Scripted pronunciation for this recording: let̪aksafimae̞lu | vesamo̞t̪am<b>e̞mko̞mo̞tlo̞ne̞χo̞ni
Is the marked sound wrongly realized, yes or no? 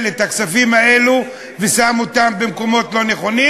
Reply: no